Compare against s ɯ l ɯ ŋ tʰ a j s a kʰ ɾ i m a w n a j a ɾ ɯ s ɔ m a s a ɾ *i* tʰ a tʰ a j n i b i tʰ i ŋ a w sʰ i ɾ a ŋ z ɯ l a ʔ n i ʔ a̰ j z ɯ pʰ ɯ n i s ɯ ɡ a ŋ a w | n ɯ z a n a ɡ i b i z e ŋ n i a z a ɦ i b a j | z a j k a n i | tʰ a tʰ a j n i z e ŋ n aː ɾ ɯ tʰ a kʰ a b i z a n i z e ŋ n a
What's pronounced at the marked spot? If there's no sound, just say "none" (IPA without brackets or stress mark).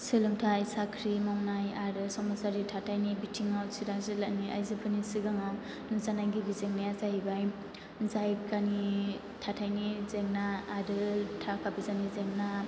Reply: i